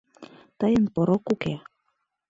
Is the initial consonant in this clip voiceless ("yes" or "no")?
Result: yes